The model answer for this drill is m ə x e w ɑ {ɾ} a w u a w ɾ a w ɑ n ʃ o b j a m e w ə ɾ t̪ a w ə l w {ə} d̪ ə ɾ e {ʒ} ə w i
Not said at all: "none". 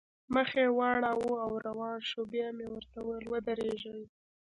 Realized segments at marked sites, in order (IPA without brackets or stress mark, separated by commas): ɽ, ə, ʒ